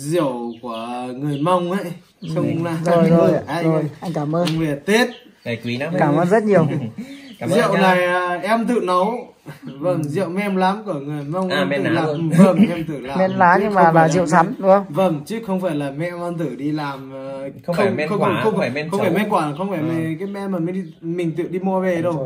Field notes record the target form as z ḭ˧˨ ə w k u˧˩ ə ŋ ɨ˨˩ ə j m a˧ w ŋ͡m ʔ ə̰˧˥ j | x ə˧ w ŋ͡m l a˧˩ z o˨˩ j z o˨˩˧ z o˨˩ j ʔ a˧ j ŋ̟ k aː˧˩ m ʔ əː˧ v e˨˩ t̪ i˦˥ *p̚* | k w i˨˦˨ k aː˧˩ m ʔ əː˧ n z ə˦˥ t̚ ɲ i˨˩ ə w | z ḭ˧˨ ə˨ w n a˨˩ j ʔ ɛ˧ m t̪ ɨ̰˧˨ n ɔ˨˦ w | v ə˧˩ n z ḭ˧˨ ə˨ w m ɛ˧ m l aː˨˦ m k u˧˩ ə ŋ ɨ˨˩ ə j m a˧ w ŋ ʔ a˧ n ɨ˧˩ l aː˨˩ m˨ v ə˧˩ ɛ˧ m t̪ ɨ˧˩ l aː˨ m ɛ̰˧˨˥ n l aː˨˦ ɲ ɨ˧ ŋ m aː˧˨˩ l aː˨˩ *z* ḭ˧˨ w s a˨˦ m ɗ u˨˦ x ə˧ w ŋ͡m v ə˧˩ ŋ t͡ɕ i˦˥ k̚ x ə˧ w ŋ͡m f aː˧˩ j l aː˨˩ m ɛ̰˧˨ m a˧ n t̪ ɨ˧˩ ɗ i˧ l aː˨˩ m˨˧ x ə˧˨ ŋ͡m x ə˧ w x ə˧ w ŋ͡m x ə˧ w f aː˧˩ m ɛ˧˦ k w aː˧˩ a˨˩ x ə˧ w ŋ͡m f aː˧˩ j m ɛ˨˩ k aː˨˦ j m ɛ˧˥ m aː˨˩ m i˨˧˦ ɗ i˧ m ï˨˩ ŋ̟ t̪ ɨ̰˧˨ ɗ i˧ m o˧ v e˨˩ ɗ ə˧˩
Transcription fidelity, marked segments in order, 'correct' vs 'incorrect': incorrect: t̚, correct

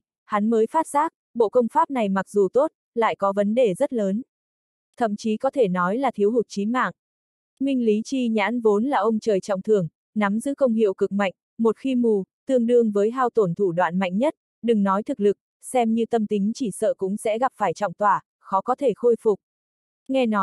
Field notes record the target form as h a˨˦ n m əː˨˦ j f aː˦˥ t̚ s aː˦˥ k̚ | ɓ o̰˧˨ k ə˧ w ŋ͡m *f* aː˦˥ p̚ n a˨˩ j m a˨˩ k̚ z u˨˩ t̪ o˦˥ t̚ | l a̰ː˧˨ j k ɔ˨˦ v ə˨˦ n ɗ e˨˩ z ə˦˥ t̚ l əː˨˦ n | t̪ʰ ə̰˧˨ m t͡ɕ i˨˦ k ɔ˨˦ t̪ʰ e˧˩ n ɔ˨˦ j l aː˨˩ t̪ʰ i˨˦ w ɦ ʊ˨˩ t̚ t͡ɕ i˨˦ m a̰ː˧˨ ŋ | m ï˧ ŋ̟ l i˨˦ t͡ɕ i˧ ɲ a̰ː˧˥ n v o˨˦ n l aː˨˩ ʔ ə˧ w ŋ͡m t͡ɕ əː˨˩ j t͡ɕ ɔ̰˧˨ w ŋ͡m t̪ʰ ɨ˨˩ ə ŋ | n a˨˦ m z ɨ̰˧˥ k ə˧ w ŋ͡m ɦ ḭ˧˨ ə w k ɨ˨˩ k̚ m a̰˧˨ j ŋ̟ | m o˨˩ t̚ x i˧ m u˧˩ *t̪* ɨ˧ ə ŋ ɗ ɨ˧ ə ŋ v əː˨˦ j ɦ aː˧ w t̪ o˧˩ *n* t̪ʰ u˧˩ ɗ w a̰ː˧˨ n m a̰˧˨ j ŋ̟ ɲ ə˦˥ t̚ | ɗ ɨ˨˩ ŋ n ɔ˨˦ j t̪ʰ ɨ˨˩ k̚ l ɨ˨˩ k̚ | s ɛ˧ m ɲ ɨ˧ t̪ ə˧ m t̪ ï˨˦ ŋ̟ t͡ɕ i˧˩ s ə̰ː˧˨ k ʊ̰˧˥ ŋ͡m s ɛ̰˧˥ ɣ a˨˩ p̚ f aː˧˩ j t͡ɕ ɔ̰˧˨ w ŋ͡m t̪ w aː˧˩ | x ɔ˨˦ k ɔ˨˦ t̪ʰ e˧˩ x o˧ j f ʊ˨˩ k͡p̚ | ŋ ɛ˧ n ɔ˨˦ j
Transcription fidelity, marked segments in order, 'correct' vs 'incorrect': correct, correct, correct

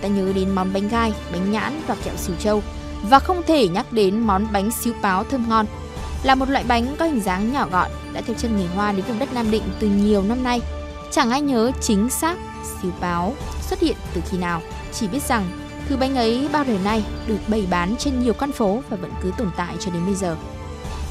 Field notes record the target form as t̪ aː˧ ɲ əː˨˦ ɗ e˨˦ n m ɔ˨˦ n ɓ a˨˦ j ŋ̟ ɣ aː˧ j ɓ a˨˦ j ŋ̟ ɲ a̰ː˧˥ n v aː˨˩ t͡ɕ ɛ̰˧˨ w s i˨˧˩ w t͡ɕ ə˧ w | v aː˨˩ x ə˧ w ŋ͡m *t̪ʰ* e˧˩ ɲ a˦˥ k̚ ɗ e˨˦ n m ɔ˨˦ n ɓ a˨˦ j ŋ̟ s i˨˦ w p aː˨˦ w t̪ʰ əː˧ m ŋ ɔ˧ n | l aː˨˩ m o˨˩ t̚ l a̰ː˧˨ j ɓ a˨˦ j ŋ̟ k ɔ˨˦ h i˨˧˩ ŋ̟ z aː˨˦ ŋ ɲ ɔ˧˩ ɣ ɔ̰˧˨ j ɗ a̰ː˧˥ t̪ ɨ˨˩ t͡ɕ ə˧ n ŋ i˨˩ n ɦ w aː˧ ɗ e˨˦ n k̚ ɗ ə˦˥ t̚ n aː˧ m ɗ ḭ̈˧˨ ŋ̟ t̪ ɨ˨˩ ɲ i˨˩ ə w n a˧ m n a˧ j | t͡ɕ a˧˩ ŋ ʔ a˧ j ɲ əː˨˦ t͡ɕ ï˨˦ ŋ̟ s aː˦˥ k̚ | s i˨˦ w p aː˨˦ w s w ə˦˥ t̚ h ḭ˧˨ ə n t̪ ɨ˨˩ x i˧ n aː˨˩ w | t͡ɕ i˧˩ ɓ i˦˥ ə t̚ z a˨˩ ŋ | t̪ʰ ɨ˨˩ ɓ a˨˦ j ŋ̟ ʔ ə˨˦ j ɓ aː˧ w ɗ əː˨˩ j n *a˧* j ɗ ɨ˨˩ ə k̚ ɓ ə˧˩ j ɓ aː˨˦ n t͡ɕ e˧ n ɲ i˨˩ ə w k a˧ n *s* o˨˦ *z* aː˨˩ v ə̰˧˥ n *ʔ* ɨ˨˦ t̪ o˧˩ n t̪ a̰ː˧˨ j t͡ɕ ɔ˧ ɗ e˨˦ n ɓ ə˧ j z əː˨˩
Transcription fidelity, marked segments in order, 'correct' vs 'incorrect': correct, correct, incorrect: f, incorrect: v, incorrect: k

